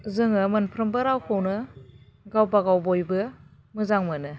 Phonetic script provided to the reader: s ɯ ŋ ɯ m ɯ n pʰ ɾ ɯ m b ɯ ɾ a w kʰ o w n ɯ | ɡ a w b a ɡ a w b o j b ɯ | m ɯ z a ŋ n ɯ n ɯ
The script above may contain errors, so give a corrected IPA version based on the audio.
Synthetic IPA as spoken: z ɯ ŋ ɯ m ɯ n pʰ ɾ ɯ m b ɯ ɾ a w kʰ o w n ɯ | ɡ a w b a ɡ a w b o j b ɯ | m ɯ z a ŋ m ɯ n ɯ

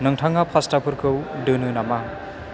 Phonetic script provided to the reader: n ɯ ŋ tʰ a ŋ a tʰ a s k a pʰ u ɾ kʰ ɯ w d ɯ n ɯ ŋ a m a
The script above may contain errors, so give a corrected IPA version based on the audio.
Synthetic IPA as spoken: n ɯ ŋ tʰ a ŋ a pʰ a s t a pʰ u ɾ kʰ ɯ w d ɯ n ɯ n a m a

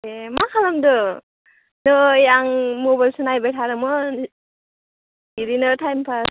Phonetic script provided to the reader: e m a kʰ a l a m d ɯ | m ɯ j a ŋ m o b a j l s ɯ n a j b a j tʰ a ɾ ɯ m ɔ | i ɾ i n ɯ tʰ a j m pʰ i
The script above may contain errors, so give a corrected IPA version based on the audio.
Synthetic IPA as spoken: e m a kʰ a l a m d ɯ | n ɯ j a ŋ m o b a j l s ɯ n a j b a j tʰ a ɾ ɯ m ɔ | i ɾ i n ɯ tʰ a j m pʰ a

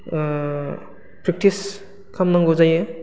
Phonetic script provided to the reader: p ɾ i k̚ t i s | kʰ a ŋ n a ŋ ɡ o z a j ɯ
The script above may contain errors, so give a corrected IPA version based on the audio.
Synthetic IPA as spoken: p ɾ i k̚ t i s | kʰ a m n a ŋ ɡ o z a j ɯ

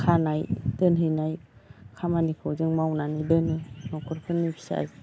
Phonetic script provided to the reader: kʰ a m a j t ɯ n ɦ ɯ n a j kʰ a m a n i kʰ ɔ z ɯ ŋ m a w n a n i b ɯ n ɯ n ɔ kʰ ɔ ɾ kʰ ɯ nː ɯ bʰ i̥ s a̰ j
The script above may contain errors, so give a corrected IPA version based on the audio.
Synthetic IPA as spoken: kʰ a n a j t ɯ n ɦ ɯ n a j kʰ a m a n i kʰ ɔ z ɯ ŋ m a w n a n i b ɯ n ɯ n ɔ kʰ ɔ ɾ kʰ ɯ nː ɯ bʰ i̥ s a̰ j

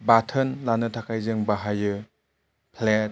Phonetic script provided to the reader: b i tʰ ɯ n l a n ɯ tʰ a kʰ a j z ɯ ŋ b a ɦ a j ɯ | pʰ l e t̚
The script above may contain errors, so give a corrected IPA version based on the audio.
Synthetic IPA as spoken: b a tʰ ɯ n l a n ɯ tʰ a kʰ a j z ɯ ŋ b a ɦ a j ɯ | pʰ l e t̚

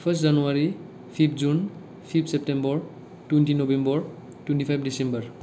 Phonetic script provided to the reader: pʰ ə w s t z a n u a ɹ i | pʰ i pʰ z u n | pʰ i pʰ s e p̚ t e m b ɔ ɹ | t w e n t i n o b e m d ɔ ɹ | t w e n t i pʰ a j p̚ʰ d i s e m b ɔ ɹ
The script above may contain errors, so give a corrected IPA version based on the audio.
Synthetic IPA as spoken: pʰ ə s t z a n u a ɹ i | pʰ i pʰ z u n | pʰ i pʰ s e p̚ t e m b ɔ ɹ | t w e n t i n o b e m b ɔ ɹ | t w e n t i pʰ a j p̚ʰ d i s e m b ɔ ɹ

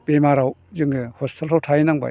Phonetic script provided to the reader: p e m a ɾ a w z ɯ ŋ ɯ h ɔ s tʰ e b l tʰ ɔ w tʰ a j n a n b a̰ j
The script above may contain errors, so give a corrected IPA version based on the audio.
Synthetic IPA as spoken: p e m a ɾ a w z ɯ ŋ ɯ h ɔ s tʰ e l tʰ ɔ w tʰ a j n a ŋ b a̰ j

